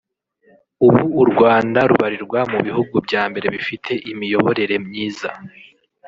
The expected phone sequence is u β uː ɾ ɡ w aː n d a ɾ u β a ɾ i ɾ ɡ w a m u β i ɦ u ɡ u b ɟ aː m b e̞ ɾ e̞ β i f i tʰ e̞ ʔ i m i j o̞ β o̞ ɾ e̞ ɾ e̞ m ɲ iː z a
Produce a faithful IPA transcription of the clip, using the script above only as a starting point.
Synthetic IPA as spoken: u β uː ɾ ɡ w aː n d a ɾ u β a ɾ i ɾ ɡ w a m u β i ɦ u ɡ u b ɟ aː m b e̞ ɾ e̞ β i f i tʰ e̞ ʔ i m i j o̞ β o̞ ɾ e̞ ɾ e̞ m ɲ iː z a